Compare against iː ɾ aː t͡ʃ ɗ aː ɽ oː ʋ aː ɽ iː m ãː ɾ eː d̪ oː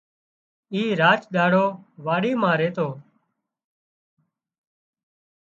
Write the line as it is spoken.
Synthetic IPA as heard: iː ɾ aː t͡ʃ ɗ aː ɽ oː ʋ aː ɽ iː m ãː ɾ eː t̪ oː